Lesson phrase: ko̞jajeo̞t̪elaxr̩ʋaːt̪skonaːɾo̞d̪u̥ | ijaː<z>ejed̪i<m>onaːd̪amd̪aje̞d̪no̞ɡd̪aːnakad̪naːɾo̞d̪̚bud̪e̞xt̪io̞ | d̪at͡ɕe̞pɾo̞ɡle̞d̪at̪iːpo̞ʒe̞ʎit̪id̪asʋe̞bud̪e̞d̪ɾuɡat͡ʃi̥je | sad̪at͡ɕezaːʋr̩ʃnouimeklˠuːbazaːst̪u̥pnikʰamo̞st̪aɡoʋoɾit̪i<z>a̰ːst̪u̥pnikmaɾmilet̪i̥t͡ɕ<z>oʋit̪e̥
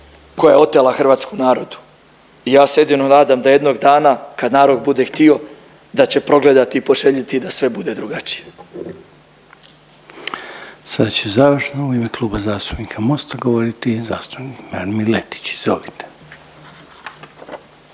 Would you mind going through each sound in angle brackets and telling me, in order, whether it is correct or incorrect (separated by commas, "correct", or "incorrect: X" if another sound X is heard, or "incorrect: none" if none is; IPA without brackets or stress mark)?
incorrect: s, incorrect: n, correct, correct